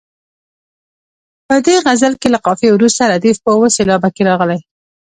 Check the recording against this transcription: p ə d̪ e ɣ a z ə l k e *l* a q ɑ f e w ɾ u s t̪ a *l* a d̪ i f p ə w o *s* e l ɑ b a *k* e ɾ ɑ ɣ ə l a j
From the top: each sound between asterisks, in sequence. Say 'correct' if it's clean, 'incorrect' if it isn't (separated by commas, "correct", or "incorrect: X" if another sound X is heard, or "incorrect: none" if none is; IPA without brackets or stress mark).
correct, incorrect: ɾ, correct, correct